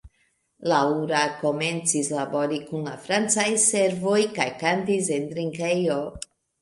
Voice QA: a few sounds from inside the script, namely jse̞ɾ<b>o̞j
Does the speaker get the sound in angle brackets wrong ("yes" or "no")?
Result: yes